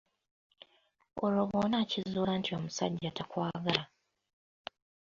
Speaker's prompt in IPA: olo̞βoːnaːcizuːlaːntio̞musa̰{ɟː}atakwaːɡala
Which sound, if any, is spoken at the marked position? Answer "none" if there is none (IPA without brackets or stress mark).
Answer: ɟː